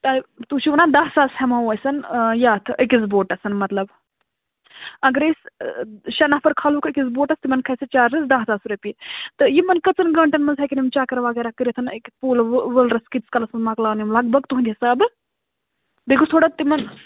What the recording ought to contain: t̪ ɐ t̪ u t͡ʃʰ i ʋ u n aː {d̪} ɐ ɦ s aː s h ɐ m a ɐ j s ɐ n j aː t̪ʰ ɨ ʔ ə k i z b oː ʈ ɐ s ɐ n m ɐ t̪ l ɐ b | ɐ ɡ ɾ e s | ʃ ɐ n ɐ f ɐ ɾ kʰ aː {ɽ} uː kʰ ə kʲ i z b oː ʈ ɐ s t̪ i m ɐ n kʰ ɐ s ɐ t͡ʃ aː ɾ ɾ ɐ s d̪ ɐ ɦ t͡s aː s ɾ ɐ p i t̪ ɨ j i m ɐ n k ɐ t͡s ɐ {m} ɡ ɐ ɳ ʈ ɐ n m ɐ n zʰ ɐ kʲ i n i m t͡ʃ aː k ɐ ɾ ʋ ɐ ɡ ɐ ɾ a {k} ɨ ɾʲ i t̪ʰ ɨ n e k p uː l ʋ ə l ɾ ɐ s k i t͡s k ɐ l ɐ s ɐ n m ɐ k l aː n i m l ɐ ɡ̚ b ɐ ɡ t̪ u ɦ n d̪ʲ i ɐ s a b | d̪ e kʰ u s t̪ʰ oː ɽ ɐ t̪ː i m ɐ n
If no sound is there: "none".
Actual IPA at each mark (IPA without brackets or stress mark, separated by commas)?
d̪, l, n, k